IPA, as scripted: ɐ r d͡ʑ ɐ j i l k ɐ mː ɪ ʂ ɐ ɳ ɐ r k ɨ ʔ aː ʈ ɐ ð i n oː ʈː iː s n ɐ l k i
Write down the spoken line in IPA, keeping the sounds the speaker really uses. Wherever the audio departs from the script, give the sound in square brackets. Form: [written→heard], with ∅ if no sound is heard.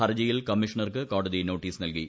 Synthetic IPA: ɐ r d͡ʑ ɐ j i l k ɐ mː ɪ ʂ ɐ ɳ ɐ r k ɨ [ʔ→k] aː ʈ ɐ ð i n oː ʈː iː s n ɐ l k i